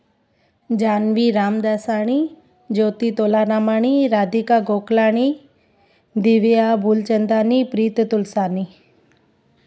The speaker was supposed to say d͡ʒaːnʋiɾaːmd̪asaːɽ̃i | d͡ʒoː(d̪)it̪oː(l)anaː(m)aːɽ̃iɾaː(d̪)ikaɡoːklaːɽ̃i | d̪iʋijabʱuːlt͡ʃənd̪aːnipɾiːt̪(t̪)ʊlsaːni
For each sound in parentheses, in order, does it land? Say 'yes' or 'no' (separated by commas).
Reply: no, yes, yes, yes, yes